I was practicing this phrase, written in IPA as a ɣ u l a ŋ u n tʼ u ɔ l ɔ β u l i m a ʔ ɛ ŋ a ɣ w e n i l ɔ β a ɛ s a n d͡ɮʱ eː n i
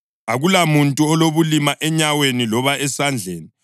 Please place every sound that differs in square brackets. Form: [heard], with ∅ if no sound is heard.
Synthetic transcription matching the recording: a ɣ u l a [m] u n tʼ u ɔ l [o] β u l i m a ʔ ɛ [ɲ] a [∅] w e n i l ɔ β a ɛ s a n d͡ɮʱ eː n i

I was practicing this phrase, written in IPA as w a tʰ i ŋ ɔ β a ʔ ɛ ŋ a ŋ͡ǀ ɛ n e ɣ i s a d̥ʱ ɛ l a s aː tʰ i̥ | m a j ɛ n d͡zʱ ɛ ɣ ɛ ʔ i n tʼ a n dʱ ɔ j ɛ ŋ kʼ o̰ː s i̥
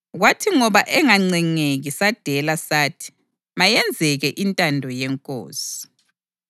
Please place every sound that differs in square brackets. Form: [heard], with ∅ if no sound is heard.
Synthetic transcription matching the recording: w a tʰ i ŋ ɔ β a ʔ ɛ ŋ a ŋ͡ǀ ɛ [ŋ] e ɣ i s a d̥ʱ ɛ l a s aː tʰ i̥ | m a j ɛ n d͡zʱ ɛ ɣ ɛ ʔ i n tʼ a n dʱ ɔ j ɛ ŋ kʼ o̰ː s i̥

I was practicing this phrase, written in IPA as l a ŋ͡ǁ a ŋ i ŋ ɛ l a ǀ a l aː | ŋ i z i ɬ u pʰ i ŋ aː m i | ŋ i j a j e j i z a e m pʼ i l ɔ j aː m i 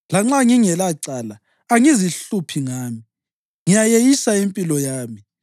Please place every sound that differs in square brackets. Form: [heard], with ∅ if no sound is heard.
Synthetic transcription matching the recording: l a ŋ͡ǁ a ŋ i ŋ ɛ l a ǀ a l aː | ŋ i z i ɬ u pʰ i ŋ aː m i | ŋ i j a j e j i [s] a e m pʼ i l ɔ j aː m i

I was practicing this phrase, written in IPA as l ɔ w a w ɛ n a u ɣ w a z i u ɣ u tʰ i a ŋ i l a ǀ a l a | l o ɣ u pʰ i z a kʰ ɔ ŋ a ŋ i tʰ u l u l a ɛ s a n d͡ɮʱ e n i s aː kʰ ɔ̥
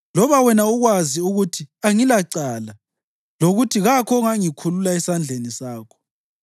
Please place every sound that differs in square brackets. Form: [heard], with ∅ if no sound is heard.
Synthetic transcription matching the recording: l ɔ [β] a w ɛ n a u ɣ w a z i u ɣ u tʰ i a ŋ i l a ǀ a l a | l o ɣ u [tʰ] i [ɣ] a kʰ ɔ ŋ a ŋ i [kʰ] u l u l a ɛ s a n d͡ɮʱ e n i s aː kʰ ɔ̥

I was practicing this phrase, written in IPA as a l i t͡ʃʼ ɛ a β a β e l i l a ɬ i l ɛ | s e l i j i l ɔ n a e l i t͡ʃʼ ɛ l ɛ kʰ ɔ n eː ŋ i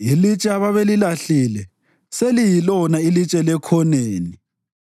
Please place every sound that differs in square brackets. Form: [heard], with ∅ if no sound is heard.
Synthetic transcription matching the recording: [i] l i t͡ʃʼ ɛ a β a β e l i l a ɬ i l ɛ | s e l i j i l ɔ n a [i] l i t͡ʃʼ ɛ l ɛ kʰ ɔ n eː [n] i

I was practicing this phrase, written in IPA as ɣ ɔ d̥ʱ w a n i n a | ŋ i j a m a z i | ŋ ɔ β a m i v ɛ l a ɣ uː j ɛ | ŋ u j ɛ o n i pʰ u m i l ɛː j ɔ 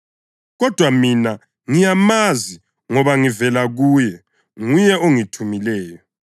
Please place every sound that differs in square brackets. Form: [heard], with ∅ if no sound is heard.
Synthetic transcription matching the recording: ɣ ɔ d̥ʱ w a [m] i n a | ŋ i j a m a z i | ŋ ɔ β a [ŋ] i v ɛ l a ɣ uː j ɛ | ŋ u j ɛ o [ŋ] i [tʰ] u m i l ɛː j ɔ

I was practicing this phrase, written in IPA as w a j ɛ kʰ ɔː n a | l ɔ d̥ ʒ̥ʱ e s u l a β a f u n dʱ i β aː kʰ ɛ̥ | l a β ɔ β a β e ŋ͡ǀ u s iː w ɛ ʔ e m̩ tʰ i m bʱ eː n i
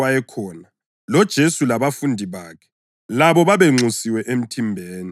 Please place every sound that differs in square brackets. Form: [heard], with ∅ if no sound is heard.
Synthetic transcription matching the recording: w a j ɛ kʰ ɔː n a | l ɔ d̥ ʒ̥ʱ e s u l a β a f u n dʱ i β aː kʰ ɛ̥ | l a β ɔ β a β e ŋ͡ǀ u s [i] w ɛ ʔ e m̩ tʰ i m bʱ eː n i

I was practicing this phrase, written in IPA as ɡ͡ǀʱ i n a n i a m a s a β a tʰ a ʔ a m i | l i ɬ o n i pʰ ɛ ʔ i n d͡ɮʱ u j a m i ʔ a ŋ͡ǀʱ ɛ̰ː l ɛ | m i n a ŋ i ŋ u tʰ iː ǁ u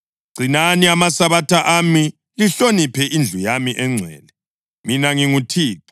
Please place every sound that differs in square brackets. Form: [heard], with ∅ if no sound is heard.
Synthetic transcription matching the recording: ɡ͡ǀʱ i n a n i a m a s a β a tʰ a ʔ a m i | l i ɬ o n i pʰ ɛ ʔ i n d͡ɮʱ u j a m i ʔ [ɛ] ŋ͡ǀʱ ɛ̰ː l ɛ | m i n a ŋ i ŋ u tʰ iː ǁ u

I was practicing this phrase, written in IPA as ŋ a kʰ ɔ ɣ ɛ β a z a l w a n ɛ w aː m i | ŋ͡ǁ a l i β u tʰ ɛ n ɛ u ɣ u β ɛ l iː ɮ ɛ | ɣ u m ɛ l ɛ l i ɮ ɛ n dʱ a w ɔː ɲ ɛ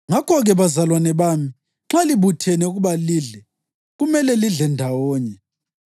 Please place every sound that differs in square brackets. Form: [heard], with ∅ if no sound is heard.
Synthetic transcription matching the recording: ŋ a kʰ ɔ ɣ ɛ β a z a l w a n ɛ [β] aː m i | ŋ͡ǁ a l i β u tʰ ɛ n ɛ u ɣ u β [a] l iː ɮ ɛ | ɣ u m ɛ l ɛ l i ɮ ɛ n dʱ a w ɔː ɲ ɛ

